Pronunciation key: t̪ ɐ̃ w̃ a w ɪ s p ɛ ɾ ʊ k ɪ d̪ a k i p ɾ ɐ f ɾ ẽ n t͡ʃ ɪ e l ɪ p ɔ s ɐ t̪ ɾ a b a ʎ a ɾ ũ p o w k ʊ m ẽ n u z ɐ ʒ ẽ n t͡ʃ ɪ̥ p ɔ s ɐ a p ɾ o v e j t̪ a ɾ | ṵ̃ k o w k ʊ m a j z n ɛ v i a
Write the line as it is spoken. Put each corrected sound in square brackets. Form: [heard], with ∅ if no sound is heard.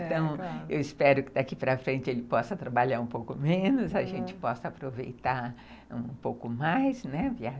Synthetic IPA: t̪ ɐ̃ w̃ [e] w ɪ s p ɛ ɾ ʊ k ɪ d̪ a k i p ɾ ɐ f ɾ ẽ n t͡ʃ ɪ e l ɪ p ɔ s ɐ t̪ ɾ a b a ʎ a ɾ ũ p o w k ʊ m ẽ n [ʊ] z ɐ ʒ ẽ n t͡ʃ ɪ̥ p ɔ s ɐ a p ɾ o v e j t̪ a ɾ | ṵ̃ [p] o w k ʊ m a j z n ɛ v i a